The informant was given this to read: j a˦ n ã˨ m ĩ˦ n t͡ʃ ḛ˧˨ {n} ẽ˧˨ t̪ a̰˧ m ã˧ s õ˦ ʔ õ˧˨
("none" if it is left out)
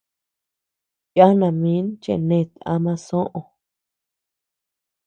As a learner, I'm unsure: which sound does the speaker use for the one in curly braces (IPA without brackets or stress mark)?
n